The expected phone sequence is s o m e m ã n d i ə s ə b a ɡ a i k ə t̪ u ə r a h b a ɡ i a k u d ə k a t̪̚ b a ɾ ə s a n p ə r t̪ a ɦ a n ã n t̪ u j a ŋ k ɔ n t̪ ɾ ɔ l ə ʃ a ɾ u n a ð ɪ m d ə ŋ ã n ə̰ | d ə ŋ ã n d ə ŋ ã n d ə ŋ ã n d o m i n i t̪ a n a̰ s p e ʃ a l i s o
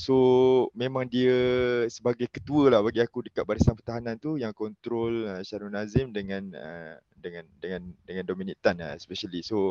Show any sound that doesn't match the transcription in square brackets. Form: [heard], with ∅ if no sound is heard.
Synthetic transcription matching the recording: s o m e m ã [ŋ] d i ə s ə b a ɡ a [j] k ə t̪ u ə [l] a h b a ɡ i a k u d ə k a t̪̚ b a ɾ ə s a n p ə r t̪ a ɦ a n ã n t̪ u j a ŋ k ɔ n t̪ ɾ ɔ l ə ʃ a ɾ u n a [z] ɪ m d ə ŋ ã n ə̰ | d ə ŋ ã n d ə ŋ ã n d ə ŋ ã n d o m i n i t̪ a n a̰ s p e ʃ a l i s o